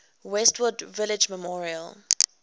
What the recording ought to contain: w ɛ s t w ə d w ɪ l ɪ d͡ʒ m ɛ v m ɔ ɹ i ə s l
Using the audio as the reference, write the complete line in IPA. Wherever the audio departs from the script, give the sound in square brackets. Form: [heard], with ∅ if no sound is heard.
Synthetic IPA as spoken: w ɛ s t w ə d [v] ɪ l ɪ d͡ʒ m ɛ [∅] m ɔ ɹ i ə [∅] l